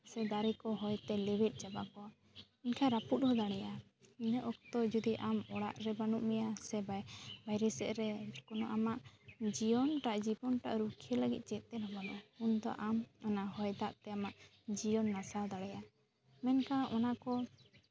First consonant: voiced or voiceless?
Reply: voiceless